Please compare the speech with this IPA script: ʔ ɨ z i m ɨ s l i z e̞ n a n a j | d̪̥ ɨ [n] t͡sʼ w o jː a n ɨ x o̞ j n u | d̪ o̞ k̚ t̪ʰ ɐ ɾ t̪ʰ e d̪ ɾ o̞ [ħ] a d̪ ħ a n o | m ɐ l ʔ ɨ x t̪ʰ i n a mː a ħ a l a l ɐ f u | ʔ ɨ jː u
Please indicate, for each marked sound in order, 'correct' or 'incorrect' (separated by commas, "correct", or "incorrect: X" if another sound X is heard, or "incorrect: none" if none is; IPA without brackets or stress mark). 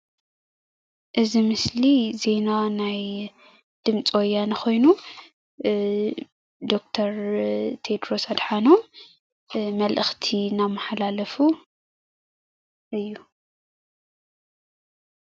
incorrect: m, incorrect: s